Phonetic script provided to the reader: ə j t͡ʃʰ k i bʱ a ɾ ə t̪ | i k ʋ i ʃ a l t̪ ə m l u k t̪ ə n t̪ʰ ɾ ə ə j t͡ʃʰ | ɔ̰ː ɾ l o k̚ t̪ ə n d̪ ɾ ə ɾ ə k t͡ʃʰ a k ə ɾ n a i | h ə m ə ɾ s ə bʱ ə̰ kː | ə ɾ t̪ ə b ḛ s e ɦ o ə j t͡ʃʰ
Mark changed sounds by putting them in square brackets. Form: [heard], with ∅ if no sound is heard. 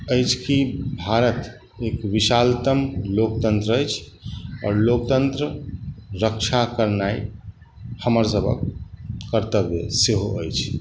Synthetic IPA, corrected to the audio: ə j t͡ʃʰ k i bʱ a ɾ ə t̪ | [e] k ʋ i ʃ a l t̪ ə m l [o] k t̪ ə n [t̪] ɾ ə ə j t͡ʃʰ | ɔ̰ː ɾ l o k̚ t̪ ə n [t̪] ɾ ə ɾ ə k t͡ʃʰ a k ə ɾ n a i | h ə m ə ɾ s ə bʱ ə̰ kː | ə ɾ t̪ ə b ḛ s e ɦ o ə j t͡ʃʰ